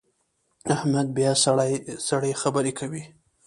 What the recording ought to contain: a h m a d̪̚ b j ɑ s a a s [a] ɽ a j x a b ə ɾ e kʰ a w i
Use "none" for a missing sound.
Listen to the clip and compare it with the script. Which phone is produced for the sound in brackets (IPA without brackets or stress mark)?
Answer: a